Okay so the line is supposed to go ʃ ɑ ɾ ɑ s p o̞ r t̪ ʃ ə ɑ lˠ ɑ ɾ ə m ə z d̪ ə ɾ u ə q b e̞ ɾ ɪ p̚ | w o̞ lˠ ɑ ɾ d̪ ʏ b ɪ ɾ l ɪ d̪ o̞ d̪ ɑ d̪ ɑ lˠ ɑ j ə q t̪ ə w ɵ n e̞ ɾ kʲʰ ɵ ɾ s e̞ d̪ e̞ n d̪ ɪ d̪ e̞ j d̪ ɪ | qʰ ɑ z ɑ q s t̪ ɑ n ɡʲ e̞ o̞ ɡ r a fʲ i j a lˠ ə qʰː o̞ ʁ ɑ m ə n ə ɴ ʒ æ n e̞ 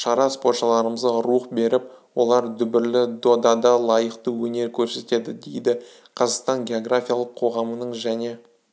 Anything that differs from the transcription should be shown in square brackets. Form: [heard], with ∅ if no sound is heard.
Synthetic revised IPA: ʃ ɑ ɾ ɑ s p o̞ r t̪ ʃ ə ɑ lˠ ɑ ɾ ə m ə z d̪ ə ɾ u ə q b e̞ ɾ ɪ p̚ | w o̞ lˠ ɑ ɾ d̪ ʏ b ɪ ɾ l ɪ d̪ o̞ d̪ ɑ d̪ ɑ lˠ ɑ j ə q t̪ ə w ɵ n e̞ ɾ kʲʰ ɵ ɾ s e̞ [t̪] e̞ [∅] d̪ ɪ d̪ e̞ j d̪ ɪ | qʰ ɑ z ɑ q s t̪ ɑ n ɡʲ e̞ o̞ ɡ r a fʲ i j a lˠ ə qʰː o̞ ʁ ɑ m ə n ə ɴ ʒ æ n e̞